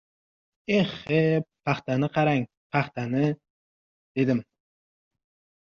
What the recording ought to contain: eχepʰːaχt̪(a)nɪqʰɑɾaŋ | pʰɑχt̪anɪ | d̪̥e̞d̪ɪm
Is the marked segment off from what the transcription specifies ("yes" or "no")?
no